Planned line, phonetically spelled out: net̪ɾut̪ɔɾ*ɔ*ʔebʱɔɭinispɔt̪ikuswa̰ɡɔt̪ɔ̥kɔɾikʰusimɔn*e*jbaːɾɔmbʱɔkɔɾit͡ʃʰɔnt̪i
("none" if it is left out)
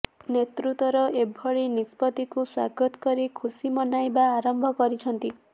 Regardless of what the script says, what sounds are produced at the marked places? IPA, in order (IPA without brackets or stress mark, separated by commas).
ɔ, a